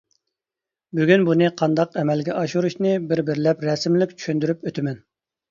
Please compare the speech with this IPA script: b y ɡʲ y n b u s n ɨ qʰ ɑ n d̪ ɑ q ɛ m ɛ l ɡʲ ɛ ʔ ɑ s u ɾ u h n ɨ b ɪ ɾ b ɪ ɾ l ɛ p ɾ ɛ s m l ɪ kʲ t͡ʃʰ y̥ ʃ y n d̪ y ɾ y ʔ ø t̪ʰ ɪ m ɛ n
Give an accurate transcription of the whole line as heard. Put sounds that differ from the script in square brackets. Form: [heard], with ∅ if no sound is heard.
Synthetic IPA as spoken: b y ɡʲ y n b u [∅] n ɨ qʰ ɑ n d̪ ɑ q ɛ m ɛ l ɡʲ ɛ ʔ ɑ [ʃ] u ɾ u [ʃ] n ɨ b ɪ ɾ b ɪ ɾ l ɛ p ɾ ɛ s m l ɪ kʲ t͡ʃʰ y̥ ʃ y n d̪ y ɾ y [p] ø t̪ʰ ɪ m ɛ n